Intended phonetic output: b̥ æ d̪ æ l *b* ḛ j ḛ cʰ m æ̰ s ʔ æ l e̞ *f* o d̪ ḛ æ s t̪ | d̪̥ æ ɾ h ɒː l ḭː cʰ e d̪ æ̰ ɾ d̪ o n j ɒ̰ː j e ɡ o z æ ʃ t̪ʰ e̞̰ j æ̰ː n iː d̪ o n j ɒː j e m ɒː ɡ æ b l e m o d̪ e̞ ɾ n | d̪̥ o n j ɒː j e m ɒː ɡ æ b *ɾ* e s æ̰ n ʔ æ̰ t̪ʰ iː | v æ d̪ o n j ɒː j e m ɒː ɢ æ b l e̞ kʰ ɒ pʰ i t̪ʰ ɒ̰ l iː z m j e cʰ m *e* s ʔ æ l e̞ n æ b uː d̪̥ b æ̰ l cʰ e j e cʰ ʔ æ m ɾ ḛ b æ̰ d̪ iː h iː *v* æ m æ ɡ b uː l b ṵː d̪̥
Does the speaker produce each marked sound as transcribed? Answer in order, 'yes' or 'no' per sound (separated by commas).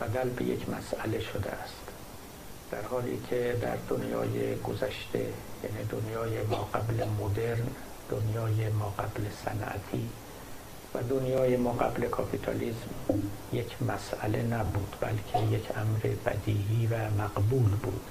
yes, no, no, no, yes